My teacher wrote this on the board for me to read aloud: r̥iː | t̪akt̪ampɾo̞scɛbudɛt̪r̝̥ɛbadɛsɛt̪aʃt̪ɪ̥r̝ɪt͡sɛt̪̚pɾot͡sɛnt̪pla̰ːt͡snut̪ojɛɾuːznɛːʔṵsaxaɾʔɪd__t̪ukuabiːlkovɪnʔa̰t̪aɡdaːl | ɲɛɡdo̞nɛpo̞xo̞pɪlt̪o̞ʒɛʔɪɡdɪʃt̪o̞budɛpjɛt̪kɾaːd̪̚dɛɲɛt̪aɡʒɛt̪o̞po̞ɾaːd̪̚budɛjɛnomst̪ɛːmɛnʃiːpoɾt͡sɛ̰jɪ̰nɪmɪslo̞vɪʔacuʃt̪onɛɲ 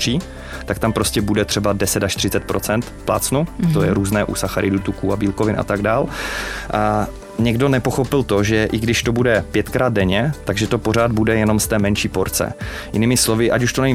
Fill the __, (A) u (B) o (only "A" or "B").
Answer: A